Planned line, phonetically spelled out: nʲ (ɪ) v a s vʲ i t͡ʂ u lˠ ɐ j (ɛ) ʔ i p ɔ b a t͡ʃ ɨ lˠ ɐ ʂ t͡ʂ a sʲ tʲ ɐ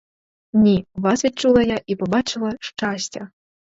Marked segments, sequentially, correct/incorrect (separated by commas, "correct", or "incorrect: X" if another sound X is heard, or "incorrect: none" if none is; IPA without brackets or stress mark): incorrect: i, incorrect: a